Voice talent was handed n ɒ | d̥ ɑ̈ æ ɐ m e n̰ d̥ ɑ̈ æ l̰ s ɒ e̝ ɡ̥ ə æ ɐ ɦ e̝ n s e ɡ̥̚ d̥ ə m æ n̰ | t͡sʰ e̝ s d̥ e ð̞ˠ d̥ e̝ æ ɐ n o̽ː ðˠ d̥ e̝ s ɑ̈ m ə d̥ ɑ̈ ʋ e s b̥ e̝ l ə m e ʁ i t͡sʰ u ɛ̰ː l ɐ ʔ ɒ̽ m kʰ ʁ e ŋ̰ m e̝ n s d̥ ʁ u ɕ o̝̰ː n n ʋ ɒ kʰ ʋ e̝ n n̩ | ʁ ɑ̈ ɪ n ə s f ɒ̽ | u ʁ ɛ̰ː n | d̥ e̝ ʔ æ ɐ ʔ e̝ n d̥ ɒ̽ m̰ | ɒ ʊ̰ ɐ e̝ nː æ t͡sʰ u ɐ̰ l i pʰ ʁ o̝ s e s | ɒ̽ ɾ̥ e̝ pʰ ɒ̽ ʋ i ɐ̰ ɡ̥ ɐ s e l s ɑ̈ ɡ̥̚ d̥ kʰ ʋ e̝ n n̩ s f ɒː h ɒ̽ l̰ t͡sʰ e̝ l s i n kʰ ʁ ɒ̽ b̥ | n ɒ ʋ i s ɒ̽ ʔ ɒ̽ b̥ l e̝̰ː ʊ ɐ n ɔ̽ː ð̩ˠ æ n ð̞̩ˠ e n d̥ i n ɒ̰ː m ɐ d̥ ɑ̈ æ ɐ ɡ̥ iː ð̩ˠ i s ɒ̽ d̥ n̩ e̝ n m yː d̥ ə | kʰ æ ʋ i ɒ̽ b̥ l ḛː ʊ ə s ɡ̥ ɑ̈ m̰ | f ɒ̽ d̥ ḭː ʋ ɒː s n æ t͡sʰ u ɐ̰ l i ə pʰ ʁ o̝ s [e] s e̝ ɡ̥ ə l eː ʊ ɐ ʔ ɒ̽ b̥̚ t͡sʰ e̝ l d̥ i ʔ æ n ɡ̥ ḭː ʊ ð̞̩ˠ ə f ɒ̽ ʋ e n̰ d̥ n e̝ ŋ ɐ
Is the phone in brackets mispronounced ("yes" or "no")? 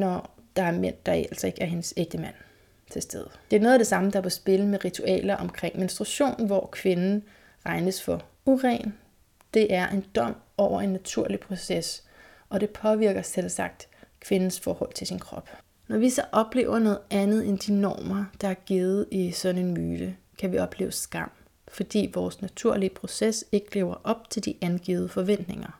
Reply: no